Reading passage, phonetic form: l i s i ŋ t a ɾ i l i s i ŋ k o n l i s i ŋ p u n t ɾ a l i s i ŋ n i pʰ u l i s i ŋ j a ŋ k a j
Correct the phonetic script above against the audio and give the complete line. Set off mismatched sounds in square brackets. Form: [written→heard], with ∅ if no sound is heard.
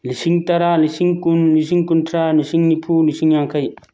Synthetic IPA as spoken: l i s i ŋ t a ɾ [i→a] l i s i ŋ k [o→u] n l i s i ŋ [p→k] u n t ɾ a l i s i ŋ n i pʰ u l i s i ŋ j a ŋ k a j